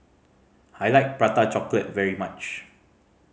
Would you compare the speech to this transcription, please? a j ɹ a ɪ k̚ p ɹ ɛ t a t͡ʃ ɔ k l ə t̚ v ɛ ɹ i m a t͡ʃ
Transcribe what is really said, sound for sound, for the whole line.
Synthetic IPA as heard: a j l a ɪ k̚ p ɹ a t a t͡ʃ ɔ k l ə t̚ v ɛ ɹ i m a t͡ʃ